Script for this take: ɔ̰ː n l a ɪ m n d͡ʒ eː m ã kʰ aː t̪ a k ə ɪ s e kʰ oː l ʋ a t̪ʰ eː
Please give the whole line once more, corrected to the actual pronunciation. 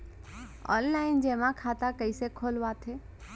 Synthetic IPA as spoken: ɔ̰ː n l a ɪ n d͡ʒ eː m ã kʰ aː t̪ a k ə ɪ s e kʰ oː l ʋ a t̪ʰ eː